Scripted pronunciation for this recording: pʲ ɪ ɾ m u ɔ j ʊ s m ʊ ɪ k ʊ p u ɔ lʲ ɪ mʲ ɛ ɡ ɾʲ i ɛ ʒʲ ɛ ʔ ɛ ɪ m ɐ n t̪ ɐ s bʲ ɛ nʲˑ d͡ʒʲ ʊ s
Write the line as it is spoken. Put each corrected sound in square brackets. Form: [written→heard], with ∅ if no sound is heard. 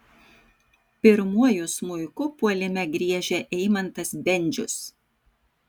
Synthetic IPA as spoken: pʲ ɪ ɾ m u ɔ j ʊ s m ʊ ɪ k ʊ p u ɔ lʲ ɪ mʲ ɛ ɡ ɾʲ i ɛ ʒʲ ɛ ʔ ɛ ɪ m ɐ n t̪ ɐ s bʲ ɛ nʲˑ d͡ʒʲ ʊ s